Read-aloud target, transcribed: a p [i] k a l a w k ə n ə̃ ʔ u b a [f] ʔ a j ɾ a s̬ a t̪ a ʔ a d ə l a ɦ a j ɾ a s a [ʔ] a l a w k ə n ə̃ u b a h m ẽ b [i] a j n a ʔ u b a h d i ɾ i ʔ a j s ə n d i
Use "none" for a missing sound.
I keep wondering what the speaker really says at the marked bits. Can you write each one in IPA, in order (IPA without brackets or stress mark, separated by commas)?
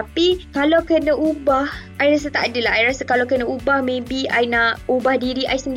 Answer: i, h, k, i